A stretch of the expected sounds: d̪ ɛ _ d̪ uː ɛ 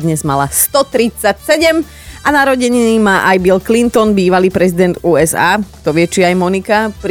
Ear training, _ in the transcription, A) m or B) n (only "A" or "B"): B